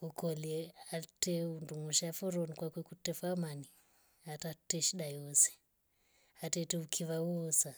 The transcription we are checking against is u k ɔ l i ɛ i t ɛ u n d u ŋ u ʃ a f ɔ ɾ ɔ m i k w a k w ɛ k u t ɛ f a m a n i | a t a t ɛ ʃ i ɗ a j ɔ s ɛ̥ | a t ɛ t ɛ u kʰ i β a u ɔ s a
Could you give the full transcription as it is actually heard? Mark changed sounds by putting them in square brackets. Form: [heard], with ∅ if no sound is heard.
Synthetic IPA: u k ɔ l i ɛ [a] t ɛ u n d u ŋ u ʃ a f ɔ ɾ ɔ [n] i k w a k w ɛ k u t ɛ f a m a n i | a t a t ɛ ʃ i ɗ a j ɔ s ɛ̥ | a t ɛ t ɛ u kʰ i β a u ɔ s a